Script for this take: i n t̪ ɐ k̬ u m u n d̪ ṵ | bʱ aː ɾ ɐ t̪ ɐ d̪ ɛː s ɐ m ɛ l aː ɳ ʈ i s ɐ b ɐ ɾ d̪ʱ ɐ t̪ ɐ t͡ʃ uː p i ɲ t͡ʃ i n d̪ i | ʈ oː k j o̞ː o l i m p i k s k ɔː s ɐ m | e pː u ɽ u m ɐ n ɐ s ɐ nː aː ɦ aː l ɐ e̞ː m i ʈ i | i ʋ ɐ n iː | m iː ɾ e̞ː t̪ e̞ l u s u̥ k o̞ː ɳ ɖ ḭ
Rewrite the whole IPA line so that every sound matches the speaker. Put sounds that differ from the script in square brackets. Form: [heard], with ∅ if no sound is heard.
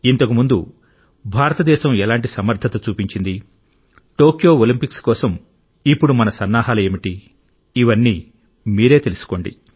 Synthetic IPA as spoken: i n t̪ ɐ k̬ u m u n d̪ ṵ | bʱ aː ɾ ɐ t̪ ɐ d̪ ɛː [ʃ] ɐ m ɛ l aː ɳ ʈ i s ɐ [m] ɐ ɾ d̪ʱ ɐ t̪ ɐ t͡ʃ uː p i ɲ t͡ʃ i n d̪ i | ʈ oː k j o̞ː o l i m p i k s k ɔː s ɐ m | [i] pː u ɽ u m ɐ n ɐ s ɐ nː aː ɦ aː l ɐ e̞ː m i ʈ i | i ʋ ɐ [nː] iː | m iː ɾ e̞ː t̪ e̞ l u s u̥ k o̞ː ɳ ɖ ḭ

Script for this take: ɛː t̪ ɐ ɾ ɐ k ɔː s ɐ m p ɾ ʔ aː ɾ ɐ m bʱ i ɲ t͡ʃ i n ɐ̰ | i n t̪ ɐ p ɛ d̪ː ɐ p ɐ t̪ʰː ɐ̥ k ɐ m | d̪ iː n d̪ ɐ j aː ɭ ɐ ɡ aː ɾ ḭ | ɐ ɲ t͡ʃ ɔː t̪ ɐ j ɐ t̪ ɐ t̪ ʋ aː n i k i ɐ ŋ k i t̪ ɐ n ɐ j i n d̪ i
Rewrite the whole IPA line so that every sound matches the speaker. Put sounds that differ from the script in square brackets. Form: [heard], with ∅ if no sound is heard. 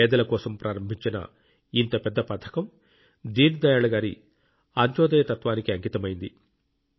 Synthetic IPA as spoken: ɛː [d̪] ɐ [l] ɐ k ɔː s ɐ m p ɾ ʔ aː ɾ ɐ m bʱ i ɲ t͡ʃ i n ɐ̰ | i n t̪ ɐ p ɛ d̪ː ɐ p ɐ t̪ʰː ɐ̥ k ɐ m | d̪ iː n d̪ ɐ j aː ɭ ɐ ɡ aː ɾ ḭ | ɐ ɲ t͡ʃ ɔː [d̪] ɐ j ɐ t̪ ɐ t̪ ʋ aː n i k i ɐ ŋ k i t̪ ɐ [m] ɐ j i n d̪ i

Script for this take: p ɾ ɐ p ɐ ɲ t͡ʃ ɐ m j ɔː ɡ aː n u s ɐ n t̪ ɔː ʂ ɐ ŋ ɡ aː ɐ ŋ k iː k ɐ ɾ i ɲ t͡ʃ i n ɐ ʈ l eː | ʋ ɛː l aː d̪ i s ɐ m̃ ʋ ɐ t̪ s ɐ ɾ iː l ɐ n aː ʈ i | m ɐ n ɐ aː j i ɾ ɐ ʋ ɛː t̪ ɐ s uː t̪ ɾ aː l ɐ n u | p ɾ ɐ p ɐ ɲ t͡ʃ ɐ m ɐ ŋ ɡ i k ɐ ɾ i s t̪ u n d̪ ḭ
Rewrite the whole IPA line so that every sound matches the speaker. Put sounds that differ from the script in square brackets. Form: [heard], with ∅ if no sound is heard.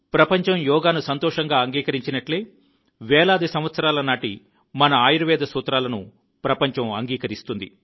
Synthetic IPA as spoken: p ɾ ɐ p ɐ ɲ t͡ʃ ɐ m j ɔː ɡ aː n u s ɐ n t̪ ɔː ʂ ɐ ŋ ɡ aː ɐ ŋ [ɡ] iː k ɐ ɾ i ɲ t͡ʃ i n ɐ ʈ l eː | ʋ ɛː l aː d̪ i s ɐ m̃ ʋ ɐ t̪ s ɐ ɾ [aː] l ɐ n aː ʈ i | m ɐ n ɐ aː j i ɾ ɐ ʋ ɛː [d̪] ɐ s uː t̪ ɾ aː l ɐ n u | p ɾ ɐ p ɐ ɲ t͡ʃ ɐ m ɐ ŋ ɡ [iː] k ɐ ɾ i s t̪ u n d̪ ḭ

